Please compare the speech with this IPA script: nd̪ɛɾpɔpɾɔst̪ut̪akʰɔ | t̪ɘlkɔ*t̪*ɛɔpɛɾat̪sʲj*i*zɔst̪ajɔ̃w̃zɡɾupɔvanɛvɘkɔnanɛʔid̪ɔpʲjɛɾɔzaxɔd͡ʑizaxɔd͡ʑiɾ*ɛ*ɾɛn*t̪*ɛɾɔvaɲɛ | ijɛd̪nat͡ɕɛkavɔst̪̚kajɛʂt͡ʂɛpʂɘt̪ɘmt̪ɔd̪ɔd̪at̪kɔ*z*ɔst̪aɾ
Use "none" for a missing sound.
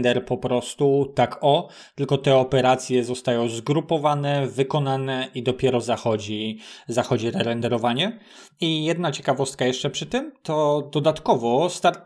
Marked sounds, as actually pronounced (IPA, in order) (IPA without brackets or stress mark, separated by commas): t̪, ɛ, ɛ, d̪, v